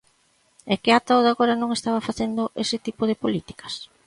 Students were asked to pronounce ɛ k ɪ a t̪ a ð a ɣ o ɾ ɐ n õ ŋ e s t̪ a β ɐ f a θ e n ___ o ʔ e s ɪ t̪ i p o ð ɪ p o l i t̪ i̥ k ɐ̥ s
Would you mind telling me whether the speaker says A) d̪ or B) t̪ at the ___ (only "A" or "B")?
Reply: A